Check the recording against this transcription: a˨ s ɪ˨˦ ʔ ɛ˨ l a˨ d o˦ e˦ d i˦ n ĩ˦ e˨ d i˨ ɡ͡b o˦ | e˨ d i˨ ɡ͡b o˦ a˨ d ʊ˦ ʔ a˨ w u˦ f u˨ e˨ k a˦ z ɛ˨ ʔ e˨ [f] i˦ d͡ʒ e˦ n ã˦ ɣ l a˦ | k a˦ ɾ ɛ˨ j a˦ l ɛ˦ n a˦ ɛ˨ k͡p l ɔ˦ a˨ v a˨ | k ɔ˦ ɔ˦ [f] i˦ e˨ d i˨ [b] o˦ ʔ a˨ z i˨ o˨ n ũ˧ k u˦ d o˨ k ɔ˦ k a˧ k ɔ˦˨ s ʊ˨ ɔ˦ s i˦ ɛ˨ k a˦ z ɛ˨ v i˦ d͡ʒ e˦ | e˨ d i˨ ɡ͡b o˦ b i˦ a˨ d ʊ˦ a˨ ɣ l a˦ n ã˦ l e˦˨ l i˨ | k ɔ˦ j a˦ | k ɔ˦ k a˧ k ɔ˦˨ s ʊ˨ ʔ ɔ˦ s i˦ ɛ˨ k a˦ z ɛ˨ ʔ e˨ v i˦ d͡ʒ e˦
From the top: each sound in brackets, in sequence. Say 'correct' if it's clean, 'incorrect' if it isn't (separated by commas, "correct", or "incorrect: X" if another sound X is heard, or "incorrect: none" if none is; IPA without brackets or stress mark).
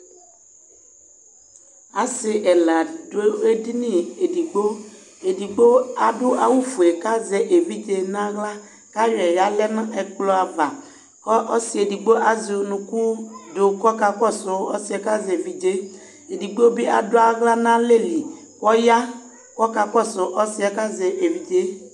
incorrect: v, incorrect: s, incorrect: ɡ͡b